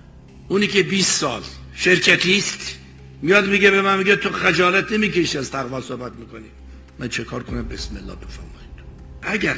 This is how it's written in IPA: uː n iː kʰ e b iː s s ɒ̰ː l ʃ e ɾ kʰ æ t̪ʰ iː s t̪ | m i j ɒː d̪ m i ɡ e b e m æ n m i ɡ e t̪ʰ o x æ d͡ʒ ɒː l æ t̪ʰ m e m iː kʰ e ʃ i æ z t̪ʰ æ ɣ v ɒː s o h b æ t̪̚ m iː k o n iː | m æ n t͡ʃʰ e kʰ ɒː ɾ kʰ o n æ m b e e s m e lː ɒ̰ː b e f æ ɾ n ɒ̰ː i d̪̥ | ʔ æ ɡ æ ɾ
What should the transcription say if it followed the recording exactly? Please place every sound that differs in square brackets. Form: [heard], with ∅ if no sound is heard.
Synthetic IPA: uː n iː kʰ e b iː s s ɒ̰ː l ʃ e ɾ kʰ æ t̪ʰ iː s t̪ | m i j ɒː d̪ m i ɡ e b e m æ n m i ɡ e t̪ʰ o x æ d͡ʒ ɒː l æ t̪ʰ [n] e m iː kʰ e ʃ i æ z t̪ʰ æ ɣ v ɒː s o h b æ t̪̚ m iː k o n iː | m æ n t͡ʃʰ e kʰ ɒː ɾ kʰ o n æ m b e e s m e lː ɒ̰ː b e f æ ɾ [m] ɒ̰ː i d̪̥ | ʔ æ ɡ æ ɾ